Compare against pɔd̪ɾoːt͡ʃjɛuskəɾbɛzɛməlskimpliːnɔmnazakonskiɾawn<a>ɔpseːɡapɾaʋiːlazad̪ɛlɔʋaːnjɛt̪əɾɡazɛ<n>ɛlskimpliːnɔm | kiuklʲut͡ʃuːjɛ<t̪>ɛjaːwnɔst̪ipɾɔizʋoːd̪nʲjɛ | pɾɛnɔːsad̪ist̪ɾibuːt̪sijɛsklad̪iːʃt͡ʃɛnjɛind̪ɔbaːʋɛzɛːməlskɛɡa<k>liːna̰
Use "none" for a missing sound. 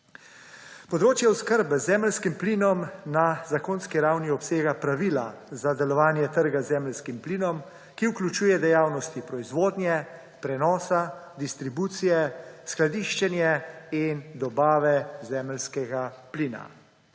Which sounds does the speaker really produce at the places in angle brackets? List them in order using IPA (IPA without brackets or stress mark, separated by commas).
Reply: i, m, d̪, p